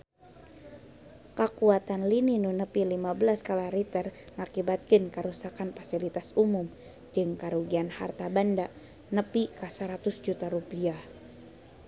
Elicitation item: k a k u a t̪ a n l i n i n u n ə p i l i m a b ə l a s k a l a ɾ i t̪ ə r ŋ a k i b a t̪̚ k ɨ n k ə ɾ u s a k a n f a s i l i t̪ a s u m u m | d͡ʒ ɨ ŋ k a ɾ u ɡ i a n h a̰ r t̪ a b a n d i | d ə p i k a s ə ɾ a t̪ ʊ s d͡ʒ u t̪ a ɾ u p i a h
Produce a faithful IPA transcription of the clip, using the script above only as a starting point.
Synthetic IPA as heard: k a k u a t̪ a n l i n i n u n ə p i l i m a b ə l a s k a l a ɾ i t̪ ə r ŋ a k i b a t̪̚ k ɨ n k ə ɾ u s a k a n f a s i l i t̪ a s u m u m | d͡ʒ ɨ ŋ k a ɾ u ɡ i a n h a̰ r t̪ a b a n d a | n ə p i k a s ə ɾ a t̪ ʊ s d͡ʒ u t̪ a ɾ u p i a h